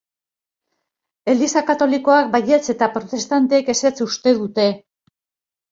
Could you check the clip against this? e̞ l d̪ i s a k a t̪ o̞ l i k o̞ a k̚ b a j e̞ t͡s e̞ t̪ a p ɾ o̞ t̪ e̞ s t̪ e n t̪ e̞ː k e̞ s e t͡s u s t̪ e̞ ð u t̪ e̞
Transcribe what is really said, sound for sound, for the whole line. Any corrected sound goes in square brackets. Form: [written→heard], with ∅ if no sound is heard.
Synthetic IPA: e̞ l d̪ i s a k a t̪ o̞ l i k o̞ a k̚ b a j e̞ t͡s e̞ t̪ a p ɾ o̞ t̪ e̞ s t̪ [e→a] n t̪ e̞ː k e̞ s e t͡s u s t̪ e̞ ð u t̪ e̞